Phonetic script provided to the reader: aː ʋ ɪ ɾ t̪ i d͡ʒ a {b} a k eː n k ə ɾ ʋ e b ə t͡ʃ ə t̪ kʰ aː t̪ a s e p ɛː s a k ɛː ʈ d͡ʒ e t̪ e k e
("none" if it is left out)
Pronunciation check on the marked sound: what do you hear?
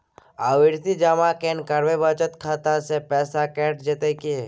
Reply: m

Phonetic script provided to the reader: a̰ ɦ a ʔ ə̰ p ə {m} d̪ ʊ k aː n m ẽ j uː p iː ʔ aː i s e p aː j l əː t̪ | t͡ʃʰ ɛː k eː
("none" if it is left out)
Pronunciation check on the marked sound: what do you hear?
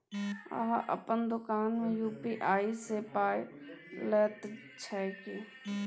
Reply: n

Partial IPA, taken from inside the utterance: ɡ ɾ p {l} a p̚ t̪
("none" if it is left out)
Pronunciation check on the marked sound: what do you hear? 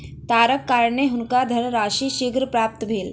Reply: ɾ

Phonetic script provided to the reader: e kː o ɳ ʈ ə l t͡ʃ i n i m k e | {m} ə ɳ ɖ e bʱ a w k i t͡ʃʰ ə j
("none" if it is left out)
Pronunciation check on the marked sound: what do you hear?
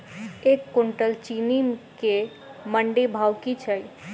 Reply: m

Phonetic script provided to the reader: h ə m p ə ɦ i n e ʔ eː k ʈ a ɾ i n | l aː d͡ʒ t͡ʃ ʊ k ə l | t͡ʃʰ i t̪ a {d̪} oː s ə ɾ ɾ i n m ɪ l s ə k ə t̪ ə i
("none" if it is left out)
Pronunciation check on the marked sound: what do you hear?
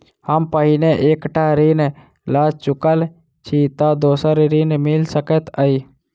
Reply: d̪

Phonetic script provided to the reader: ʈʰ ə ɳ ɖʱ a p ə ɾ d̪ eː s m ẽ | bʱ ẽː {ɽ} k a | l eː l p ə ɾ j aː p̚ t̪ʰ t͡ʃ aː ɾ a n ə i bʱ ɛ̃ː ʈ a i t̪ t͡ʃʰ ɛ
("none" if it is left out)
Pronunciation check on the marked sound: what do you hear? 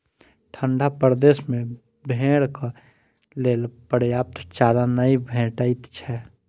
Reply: ɽ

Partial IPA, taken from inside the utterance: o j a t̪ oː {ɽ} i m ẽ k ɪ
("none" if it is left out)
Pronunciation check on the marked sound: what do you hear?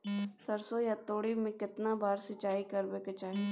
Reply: ɽ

